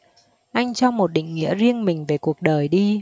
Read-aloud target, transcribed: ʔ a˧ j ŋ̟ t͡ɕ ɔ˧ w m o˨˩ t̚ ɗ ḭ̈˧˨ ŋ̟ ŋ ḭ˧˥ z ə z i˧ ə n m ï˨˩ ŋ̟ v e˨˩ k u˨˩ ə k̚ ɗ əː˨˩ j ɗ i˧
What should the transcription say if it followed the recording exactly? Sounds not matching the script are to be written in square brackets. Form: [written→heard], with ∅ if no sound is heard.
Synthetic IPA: ʔ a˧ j ŋ̟ t͡ɕ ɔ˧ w m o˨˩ t̚ ɗ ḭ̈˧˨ ŋ̟ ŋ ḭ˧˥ [z→∅] ə z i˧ ə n m ï˨˩ ŋ̟ v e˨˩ k u˨˩ ə k̚ ɗ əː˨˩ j ɗ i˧